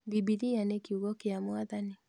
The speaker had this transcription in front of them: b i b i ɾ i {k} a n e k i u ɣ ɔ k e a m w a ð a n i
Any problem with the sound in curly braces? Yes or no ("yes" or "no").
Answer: yes